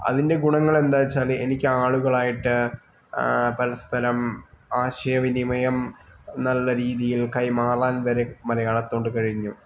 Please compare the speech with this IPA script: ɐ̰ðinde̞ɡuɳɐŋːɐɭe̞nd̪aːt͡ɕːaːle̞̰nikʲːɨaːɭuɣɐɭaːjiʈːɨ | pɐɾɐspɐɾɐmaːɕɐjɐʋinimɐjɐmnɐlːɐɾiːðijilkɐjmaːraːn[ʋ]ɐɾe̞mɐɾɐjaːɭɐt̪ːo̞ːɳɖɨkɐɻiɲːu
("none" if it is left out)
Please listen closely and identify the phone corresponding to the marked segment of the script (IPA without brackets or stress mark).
ʋ